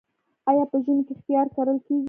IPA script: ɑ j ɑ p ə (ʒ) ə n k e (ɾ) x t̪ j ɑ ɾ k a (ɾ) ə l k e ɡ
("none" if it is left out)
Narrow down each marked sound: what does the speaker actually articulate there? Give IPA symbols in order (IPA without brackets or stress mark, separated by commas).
ʒ, none, ɾ